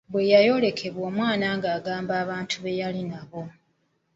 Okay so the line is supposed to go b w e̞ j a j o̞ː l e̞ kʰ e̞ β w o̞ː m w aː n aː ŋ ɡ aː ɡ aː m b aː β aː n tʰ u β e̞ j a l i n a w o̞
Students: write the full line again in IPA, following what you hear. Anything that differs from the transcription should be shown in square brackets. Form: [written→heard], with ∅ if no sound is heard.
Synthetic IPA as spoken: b w e̞ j a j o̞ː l e̞ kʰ e̞ β w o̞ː m w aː n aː ŋ ɡ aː ɡ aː m b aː β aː n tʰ u β e̞ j a l i n a [w→β] o̞